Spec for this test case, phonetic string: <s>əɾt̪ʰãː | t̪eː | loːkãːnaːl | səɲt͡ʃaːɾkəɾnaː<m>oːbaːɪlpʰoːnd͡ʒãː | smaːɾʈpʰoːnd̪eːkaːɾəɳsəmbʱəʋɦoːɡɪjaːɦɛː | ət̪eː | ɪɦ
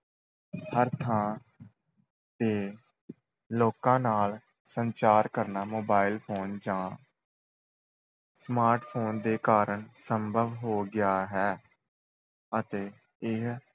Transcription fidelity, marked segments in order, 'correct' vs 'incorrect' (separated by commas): incorrect, correct